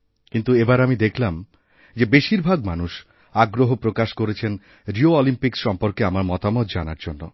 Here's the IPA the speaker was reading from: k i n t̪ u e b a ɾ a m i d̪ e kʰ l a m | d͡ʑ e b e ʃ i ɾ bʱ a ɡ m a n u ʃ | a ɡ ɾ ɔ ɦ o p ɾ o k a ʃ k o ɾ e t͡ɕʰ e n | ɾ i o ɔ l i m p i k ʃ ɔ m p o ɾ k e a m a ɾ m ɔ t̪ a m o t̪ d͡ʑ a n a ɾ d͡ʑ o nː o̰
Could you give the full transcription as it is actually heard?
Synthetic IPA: k i n t̪ u e b a ɾ a m i d̪ e kʰ l a m | d͡ʑ e b e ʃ i ɾ bʱ a ɡ m a n u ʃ | a ɡ ɾ o ɦ o p ɾ o k a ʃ k o ɾ e t͡ɕʰ e n | ɾ i o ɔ l i m p i k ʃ ɔ m p o ɾ k e a m a ɾ m ɔ t̪ a m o t̪ d͡ʑ a n a ɾ d͡ʑ o nː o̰